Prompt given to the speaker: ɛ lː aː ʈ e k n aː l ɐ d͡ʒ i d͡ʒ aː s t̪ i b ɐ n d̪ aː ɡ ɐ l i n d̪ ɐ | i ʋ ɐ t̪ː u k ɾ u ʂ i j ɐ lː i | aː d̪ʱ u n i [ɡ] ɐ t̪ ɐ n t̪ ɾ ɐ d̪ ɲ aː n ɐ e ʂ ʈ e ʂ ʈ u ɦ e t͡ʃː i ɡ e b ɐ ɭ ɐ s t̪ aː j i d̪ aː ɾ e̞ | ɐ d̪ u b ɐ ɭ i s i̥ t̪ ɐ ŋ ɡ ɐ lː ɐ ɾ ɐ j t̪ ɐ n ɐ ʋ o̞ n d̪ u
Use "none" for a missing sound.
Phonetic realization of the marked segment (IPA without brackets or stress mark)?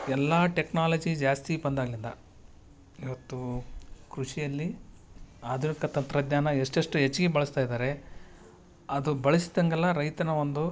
k